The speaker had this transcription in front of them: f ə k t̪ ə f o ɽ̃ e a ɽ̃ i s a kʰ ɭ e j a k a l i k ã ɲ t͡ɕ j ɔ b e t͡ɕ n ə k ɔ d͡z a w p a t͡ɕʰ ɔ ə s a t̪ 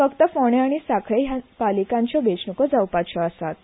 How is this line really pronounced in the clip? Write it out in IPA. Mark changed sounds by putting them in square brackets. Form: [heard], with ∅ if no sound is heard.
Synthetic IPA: f ə k t̪ ə f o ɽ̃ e a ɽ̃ i s a kʰ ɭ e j a [p] a l i k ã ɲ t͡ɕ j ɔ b e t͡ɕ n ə k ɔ d͡z a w p a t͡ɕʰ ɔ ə s a t̪